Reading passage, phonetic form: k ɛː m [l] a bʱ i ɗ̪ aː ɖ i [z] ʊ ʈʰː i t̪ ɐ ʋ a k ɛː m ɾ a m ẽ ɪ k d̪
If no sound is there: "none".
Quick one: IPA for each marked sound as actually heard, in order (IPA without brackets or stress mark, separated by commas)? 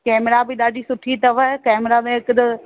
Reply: ɾ, s